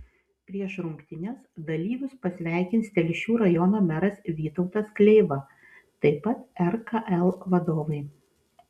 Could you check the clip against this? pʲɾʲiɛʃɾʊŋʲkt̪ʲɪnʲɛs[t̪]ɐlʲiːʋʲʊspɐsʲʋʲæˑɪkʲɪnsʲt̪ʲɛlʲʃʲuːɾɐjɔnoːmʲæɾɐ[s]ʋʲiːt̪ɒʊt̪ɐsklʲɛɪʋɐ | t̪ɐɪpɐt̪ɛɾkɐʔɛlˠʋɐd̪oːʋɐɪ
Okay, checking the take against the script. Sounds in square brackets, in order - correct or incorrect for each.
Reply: incorrect, correct

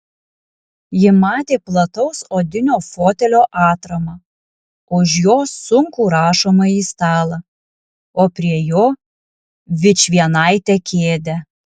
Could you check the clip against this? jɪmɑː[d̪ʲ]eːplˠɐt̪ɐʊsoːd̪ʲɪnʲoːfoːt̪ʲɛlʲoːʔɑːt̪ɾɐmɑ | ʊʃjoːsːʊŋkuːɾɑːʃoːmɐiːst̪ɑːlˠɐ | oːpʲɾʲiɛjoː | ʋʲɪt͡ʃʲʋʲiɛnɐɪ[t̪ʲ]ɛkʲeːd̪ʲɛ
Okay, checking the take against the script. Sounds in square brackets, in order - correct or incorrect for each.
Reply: incorrect, correct

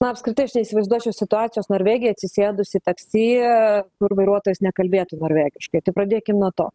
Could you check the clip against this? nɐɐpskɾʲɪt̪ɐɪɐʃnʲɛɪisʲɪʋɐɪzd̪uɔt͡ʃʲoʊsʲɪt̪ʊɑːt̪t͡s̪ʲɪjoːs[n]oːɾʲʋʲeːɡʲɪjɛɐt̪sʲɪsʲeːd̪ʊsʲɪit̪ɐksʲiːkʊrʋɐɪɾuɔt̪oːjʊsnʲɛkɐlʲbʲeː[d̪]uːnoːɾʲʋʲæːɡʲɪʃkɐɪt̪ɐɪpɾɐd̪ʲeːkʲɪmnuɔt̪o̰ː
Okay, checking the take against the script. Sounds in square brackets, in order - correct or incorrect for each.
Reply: correct, incorrect

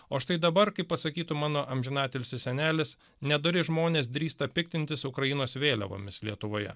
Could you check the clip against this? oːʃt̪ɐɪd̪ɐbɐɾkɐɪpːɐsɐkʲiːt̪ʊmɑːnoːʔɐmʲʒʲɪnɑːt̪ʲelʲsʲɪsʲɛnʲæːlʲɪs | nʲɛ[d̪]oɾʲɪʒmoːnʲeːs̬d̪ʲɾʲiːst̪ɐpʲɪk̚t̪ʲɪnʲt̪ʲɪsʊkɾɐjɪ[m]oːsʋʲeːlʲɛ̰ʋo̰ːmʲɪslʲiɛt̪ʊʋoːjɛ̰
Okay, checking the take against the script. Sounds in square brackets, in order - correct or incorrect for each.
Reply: correct, incorrect

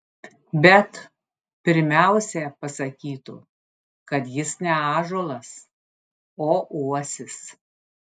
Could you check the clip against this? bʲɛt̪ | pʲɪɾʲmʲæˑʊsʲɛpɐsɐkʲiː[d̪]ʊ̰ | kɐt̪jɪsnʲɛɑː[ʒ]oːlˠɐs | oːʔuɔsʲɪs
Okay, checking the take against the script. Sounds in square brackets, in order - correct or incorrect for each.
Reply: incorrect, correct

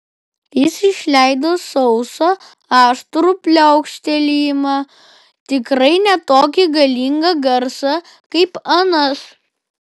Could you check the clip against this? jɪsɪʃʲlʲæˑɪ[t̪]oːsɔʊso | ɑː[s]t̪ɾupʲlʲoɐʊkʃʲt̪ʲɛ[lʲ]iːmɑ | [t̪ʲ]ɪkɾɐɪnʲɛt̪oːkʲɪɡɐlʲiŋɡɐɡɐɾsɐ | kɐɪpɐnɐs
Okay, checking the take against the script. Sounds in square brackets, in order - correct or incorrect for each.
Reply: incorrect, incorrect, correct, correct

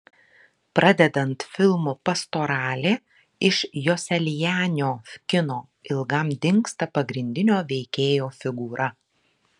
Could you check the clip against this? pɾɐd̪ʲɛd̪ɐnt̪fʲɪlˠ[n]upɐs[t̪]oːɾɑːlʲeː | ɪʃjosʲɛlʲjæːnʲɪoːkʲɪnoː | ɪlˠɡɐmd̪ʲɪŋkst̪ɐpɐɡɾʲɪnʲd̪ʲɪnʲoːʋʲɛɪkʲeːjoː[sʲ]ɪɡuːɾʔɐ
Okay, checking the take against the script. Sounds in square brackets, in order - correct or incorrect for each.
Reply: incorrect, correct, incorrect

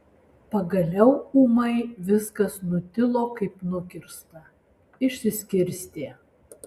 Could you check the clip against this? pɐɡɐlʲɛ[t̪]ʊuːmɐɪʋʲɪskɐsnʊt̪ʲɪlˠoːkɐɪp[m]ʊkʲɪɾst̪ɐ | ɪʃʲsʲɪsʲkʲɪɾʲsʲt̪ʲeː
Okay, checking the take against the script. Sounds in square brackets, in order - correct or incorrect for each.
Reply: incorrect, incorrect

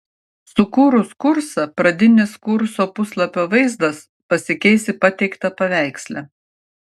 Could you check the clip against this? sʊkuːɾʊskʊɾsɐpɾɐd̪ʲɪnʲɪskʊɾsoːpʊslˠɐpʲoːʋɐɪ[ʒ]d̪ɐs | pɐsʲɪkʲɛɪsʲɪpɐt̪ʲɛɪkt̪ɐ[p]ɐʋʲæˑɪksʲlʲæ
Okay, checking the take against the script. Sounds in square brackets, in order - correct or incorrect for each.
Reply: incorrect, correct

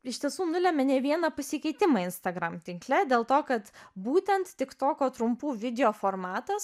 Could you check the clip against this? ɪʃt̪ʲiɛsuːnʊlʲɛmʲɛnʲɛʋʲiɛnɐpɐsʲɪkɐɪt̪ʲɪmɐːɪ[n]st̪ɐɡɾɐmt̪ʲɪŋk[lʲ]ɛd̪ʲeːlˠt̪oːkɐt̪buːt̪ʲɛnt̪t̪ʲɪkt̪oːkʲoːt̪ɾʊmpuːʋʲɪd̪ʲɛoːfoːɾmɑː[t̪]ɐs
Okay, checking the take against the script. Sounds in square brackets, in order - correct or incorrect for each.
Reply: correct, correct, correct

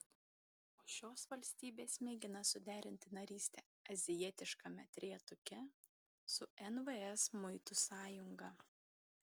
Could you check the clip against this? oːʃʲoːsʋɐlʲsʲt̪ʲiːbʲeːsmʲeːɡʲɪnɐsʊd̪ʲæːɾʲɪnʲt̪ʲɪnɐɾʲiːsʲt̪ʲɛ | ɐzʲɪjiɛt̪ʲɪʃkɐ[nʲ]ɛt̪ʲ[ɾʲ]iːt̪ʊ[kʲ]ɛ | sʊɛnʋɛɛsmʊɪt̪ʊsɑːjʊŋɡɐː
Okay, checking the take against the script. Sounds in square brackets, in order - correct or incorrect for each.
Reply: incorrect, correct, correct

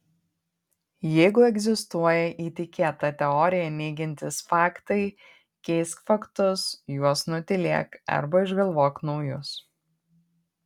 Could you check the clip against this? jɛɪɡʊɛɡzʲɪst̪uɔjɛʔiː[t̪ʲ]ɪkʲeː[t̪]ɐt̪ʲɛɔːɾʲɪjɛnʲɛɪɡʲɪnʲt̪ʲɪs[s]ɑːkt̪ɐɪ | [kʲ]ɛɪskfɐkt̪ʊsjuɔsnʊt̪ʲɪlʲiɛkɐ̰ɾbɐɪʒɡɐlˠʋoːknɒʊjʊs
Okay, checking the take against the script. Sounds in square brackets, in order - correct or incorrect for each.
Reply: correct, correct, incorrect, correct

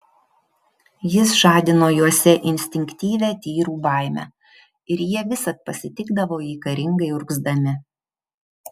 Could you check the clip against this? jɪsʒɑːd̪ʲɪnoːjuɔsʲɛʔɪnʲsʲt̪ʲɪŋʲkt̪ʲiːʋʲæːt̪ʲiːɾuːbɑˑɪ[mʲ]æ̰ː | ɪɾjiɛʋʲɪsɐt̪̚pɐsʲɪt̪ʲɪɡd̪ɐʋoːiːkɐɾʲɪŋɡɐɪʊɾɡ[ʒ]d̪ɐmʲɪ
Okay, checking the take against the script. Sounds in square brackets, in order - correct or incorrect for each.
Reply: correct, incorrect

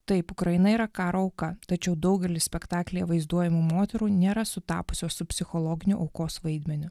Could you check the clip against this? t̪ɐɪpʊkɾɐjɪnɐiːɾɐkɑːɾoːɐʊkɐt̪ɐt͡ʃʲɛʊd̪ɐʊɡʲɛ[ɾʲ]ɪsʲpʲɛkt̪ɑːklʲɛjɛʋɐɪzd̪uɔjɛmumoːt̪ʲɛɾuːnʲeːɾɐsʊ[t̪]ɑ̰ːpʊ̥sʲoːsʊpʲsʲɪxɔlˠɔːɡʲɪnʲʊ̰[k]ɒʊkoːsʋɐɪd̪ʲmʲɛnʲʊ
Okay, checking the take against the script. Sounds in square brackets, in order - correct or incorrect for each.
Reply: incorrect, correct, incorrect

